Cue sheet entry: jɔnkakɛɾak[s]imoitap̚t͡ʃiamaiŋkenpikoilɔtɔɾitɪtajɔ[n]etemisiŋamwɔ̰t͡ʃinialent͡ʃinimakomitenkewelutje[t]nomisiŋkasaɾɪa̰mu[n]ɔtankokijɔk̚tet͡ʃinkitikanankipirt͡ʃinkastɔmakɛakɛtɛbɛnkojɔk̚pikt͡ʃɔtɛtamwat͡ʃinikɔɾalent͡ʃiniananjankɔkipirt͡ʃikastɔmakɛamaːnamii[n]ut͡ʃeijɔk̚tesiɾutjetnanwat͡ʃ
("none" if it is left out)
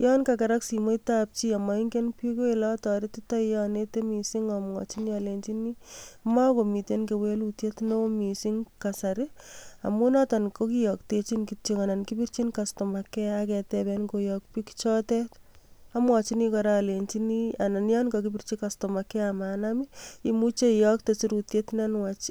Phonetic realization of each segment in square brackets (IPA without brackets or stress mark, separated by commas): s, n, t, n, m